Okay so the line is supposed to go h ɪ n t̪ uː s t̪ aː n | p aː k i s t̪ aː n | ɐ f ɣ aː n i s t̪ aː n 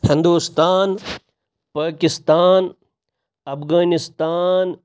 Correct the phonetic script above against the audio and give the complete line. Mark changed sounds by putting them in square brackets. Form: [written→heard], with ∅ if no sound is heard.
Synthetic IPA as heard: h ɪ n [t̪→d̪] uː s t̪ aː n | p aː k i s t̪ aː n | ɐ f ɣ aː n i s t̪ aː n